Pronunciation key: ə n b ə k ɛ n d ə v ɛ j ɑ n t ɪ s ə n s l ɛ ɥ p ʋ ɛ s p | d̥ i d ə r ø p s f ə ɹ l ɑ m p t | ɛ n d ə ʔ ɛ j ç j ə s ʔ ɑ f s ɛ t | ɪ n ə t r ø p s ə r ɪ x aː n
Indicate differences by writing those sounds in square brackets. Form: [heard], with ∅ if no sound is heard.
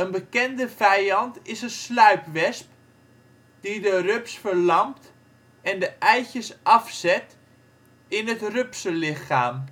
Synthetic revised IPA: ə n b ə k ɛ n d ə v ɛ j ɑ n t ɪ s ə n s l [œ] ɥ p ʋ ɛ s p | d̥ i d ə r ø p s f ə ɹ l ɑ m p t | ɛ n d ə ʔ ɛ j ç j ə s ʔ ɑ f s ɛ t | ɪ n ə t r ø p s ə [l] ɪ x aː [m]